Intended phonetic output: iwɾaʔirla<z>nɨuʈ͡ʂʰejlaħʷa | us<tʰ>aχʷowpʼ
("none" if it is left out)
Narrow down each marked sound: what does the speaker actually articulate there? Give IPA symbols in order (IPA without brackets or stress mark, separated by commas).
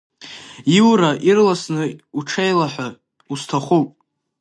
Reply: s, tʰ